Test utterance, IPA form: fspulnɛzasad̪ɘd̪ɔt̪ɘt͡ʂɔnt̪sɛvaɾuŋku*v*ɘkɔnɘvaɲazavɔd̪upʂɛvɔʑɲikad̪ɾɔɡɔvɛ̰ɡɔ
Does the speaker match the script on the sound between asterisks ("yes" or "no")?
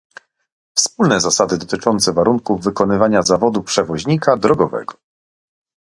no